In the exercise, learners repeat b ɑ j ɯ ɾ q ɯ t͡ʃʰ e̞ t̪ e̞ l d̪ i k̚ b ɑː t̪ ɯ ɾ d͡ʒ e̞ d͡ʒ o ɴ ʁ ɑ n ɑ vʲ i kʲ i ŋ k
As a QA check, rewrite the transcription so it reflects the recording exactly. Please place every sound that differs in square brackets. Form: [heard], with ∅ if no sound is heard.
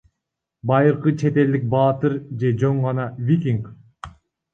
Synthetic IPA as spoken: b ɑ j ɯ ɾ q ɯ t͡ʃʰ e̞ t̪ e̞ l d̪ i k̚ b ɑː t̪ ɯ ɾ d͡ʒ e̞ d͡ʒ o ɴ ʁ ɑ n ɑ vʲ i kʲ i ŋ k